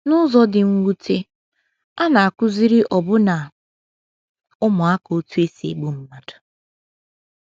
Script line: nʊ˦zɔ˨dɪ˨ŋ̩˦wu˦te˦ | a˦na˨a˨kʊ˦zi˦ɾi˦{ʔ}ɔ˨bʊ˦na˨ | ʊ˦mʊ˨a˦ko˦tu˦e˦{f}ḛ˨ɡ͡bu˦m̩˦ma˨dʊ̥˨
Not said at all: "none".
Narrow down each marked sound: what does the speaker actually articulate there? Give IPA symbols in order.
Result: ʔ, s

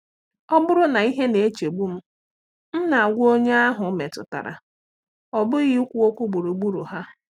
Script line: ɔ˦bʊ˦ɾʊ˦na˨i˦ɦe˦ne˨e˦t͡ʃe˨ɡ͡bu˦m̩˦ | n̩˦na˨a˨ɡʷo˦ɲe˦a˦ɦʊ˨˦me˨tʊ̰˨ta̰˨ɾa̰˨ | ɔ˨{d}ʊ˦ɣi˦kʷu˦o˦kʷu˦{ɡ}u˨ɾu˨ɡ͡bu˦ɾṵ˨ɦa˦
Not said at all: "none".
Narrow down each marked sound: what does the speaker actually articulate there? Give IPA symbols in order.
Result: b, ɡ͡b

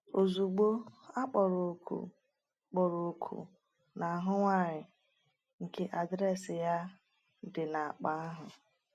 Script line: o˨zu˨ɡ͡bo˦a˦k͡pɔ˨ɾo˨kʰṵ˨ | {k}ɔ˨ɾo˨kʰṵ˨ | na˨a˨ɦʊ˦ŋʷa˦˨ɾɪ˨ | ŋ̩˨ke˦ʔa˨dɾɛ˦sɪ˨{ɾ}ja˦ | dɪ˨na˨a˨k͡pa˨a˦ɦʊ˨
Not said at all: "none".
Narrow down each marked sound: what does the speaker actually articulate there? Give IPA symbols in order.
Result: k͡p, none

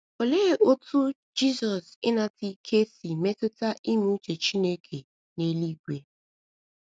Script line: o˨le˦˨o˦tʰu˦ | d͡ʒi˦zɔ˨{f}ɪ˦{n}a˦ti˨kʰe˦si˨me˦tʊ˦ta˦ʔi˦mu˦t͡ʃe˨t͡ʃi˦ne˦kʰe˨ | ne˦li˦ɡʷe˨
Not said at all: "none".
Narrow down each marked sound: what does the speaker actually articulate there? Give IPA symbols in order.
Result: s, n

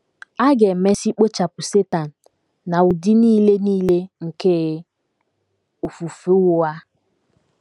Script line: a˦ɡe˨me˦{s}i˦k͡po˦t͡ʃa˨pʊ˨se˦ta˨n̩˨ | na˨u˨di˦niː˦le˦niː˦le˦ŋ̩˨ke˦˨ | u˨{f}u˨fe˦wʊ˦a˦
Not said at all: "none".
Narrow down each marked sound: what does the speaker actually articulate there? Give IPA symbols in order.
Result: s, f

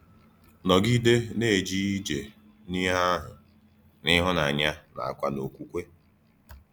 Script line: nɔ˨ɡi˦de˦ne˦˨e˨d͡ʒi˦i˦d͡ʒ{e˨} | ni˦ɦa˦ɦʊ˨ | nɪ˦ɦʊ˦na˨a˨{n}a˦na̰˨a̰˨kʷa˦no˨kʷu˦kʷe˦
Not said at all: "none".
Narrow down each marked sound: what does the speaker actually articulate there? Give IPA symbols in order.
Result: e˨, ɲ

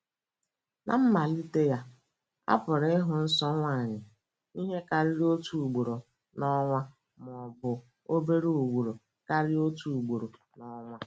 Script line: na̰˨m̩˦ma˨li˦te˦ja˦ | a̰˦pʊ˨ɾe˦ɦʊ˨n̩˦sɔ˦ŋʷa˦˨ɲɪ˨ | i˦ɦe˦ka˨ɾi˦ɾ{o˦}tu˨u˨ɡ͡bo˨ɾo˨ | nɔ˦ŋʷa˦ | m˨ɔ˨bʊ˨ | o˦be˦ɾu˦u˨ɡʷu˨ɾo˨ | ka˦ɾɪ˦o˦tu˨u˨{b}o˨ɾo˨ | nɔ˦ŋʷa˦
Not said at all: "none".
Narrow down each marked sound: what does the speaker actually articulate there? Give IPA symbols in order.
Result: o˦, ɡ͡b

